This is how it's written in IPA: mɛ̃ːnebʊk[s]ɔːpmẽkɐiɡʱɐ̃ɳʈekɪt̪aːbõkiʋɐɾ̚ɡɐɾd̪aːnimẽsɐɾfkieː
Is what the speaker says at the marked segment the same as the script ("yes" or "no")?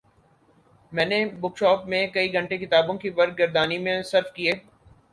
no